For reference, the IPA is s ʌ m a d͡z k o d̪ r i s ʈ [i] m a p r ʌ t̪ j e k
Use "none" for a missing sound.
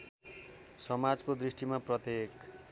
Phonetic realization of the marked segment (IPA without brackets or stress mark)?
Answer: i